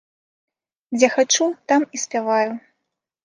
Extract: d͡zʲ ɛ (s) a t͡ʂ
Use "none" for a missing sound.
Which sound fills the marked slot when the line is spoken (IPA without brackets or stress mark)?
x